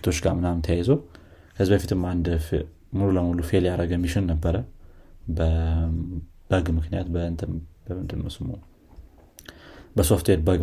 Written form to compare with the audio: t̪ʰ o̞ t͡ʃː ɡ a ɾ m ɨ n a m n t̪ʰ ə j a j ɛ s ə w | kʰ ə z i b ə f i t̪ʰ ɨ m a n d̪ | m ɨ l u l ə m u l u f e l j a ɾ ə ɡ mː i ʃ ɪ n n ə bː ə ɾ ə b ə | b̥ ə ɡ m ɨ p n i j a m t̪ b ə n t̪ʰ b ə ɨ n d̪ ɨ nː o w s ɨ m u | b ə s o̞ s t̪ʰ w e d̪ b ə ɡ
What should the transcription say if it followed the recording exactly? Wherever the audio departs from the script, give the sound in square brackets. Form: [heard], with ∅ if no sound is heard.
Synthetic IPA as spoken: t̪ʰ o̞ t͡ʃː ɡ a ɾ m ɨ n a m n t̪ʰ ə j a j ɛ [z] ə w | kʰ ə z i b ə f i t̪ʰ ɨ m a n d̪ | m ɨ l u l ə m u l u f e l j a ɾ ə ɡ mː i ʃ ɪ n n ə bː ə ɾ ə b ə | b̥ ə ɡ m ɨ [k] n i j a [∅] t̪ b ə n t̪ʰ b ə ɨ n d̪ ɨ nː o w s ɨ m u | b ə s o̞ [f] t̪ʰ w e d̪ b ə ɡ